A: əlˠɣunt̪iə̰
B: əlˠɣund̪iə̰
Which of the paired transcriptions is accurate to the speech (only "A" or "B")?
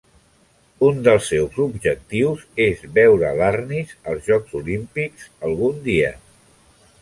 B